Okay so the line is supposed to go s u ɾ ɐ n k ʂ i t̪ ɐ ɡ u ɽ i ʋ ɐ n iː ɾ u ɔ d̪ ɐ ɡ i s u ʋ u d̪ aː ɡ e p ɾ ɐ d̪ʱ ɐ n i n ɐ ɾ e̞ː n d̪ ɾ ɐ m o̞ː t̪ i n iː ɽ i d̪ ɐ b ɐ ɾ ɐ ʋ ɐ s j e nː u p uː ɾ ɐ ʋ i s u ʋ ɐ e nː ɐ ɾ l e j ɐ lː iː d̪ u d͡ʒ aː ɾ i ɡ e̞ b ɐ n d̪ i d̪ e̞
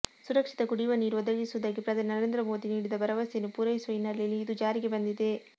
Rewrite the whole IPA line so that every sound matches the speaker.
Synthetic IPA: s u ɾ ɐ k ʂ i t̪ ɐ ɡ u ɽ i ʋ ɐ n iː ɾ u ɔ d̪ ɐ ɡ i s u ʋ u d̪ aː ɡ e p ɾ ɐ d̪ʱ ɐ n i n ɐ ɾ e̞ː n d̪ ɾ ɐ m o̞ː d̪ i n iː ɽ i d̪ ɐ b ɐ ɾ ɐ ʋ ɐ s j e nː u p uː ɾ ɐ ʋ i s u ʋ ɐ i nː ɐ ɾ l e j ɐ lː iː d̪ u d͡ʒ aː ɾ i ɡ e̞ b ɐ n d̪ i d̪ e̞